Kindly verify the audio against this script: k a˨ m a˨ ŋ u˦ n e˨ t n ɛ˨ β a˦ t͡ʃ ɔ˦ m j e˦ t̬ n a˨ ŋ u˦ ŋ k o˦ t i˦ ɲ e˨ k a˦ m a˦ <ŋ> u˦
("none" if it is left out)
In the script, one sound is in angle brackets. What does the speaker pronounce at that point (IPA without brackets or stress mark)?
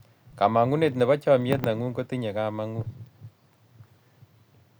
ŋ